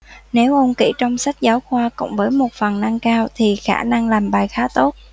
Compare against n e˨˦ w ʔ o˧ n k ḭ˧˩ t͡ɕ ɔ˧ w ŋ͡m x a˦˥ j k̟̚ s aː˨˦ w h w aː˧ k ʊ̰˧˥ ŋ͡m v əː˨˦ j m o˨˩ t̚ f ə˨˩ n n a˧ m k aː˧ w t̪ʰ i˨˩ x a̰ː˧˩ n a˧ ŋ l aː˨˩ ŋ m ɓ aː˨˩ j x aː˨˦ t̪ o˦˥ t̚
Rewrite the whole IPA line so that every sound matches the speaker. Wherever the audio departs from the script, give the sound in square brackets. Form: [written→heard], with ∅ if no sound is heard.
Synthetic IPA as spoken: n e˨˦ w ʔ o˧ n k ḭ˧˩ t͡ɕ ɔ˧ w ŋ͡m [x→s] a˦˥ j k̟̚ [s→z] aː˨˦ w [h→x] w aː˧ k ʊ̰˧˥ ŋ͡m v əː˨˦ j m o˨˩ t̚ f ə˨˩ n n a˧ [m→ŋ] k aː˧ w t̪ʰ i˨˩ x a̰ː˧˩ n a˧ ŋ l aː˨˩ [ŋ→∅] m ɓ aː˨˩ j x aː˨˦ t̪ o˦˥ t̚